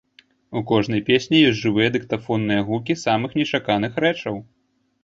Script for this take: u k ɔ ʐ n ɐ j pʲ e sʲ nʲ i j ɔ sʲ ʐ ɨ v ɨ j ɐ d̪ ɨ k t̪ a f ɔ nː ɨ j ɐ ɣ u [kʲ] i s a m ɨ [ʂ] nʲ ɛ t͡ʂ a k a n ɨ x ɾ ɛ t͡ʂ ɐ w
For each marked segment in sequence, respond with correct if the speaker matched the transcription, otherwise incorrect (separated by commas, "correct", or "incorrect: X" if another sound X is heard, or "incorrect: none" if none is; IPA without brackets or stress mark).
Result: correct, incorrect: x